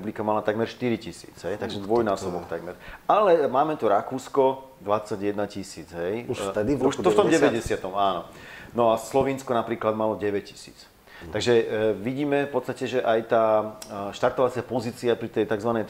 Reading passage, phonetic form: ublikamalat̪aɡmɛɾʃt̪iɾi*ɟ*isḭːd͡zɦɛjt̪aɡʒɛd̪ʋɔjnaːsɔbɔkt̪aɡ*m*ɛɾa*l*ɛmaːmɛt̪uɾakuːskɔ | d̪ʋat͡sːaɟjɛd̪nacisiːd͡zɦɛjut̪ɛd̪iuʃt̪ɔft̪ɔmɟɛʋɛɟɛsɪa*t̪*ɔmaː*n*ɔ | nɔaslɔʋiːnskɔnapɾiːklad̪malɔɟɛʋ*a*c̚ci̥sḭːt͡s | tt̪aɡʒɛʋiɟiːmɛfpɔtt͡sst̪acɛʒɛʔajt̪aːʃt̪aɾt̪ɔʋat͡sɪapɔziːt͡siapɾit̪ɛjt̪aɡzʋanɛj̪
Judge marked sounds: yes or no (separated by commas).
no, yes, yes, yes, yes, no